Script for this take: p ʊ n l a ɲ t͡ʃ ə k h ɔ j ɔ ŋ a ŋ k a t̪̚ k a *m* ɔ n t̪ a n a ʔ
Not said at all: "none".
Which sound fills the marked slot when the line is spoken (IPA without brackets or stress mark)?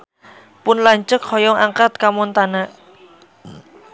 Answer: m